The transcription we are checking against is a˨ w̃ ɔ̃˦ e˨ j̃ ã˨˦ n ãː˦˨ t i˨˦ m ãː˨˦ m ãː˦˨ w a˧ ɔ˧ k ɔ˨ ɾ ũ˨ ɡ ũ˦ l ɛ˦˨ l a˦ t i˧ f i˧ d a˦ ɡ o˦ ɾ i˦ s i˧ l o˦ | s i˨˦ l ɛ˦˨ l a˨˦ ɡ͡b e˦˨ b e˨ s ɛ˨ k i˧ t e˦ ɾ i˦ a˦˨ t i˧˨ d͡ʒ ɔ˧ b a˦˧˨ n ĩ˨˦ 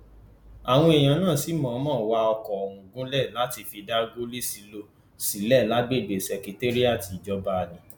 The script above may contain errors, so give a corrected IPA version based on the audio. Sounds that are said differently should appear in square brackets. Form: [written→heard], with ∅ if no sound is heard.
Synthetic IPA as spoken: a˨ w̃ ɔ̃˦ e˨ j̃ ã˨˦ n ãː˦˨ [t→s] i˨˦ m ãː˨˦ m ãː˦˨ w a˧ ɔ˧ k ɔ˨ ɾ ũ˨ ɡ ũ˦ l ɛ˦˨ l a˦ t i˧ f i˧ d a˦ ɡ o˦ [ɾ→l] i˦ s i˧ l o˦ | s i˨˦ l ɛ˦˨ l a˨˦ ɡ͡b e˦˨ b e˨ s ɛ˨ k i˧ t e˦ ɾ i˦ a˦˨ t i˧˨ d͡ʒ ɔ˧ b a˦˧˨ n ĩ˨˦